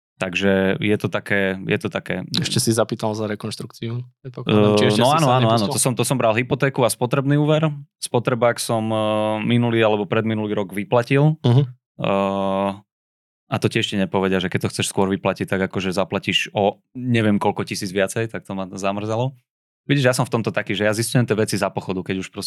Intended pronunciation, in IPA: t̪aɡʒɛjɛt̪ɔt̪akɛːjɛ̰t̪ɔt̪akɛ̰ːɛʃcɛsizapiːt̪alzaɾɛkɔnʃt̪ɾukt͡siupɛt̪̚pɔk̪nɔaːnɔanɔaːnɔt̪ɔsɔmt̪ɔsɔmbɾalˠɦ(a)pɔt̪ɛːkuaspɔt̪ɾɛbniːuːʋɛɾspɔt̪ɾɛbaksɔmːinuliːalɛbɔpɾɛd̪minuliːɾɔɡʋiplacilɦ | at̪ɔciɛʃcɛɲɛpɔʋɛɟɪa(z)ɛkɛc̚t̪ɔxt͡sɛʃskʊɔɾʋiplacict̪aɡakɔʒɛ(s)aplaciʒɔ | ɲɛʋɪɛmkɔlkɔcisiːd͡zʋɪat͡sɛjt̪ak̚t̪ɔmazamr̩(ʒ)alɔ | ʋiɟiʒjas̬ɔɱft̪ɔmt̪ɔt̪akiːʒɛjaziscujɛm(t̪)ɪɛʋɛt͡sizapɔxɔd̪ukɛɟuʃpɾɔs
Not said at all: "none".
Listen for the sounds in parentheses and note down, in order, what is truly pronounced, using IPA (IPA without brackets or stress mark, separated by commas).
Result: i, ʒ, z, z, t̪